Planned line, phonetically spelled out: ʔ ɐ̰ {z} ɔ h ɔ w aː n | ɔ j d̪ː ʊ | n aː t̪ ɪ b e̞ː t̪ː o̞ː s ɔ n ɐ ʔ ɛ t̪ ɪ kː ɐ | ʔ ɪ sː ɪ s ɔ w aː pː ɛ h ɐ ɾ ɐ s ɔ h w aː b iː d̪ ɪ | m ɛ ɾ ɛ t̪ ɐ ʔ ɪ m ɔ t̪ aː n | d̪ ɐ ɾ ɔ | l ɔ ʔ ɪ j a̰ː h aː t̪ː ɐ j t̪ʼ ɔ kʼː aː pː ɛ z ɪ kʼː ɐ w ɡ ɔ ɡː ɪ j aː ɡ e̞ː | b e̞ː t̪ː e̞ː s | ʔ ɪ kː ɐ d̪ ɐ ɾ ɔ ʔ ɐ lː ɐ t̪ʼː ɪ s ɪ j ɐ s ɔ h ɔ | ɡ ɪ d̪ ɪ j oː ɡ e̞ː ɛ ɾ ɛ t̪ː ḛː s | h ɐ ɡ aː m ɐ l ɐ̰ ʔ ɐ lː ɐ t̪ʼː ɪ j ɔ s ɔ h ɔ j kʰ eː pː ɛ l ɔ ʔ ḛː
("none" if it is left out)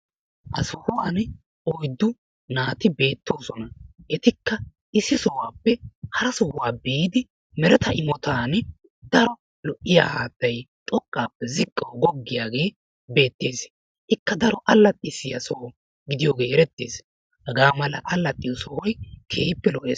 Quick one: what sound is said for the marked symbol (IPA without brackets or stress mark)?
s